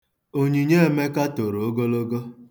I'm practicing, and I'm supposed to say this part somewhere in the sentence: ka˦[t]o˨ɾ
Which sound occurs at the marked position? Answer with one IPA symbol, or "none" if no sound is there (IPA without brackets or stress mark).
t